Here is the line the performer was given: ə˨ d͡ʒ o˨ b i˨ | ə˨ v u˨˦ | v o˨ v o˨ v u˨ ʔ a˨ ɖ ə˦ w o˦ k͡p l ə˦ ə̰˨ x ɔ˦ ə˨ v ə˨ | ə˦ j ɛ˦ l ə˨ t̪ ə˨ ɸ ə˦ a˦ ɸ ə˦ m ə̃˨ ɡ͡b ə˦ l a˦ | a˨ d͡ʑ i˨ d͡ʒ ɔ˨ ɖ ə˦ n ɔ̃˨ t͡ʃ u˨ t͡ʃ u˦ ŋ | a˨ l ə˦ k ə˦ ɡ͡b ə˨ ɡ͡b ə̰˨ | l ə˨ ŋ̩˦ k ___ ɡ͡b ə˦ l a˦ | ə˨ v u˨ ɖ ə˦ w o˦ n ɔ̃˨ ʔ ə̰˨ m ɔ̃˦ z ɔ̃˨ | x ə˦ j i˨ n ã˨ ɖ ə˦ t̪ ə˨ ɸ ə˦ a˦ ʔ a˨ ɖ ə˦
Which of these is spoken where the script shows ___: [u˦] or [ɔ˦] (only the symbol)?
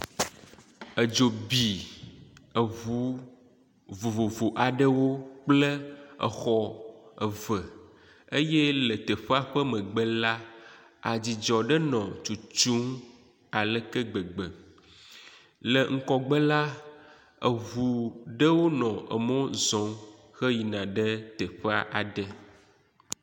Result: ɔ˦